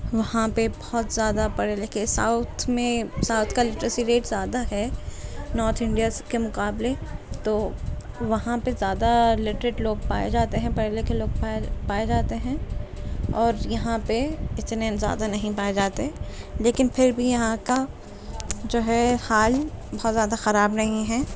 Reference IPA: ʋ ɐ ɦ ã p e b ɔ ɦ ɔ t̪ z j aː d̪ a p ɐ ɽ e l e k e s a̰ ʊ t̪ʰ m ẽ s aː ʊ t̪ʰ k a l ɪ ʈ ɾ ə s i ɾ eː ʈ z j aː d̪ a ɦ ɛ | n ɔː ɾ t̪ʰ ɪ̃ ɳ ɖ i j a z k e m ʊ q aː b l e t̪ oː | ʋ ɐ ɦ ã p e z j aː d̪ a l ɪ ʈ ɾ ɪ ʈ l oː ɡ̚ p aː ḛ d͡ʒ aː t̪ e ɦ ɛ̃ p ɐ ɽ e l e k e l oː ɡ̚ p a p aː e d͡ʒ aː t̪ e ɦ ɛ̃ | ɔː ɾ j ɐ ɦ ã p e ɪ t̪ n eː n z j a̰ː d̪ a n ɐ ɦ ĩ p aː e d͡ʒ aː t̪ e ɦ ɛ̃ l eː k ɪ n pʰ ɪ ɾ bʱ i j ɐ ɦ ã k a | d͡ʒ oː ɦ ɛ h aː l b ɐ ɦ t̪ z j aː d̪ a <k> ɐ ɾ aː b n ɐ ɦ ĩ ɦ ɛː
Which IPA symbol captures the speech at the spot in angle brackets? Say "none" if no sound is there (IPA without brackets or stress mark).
x